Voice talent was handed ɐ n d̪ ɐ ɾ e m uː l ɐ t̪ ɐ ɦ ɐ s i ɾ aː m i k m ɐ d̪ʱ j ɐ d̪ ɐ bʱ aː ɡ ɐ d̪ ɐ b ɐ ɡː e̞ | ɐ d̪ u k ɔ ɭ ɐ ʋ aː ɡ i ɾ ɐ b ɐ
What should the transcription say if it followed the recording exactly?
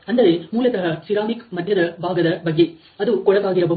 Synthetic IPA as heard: ɐ n d̪ ɐ ɾ e m uː l ɐ t̪ ɐ ɦ ɐ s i ɾ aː m i k m ɐ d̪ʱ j ɐ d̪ ɐ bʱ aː ɡ ɐ d̪ ɐ b ɐ ɡː e̞ | ɐ d̪ u k ɔ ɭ ɐ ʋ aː ɡ i ɾ ɐ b ɐ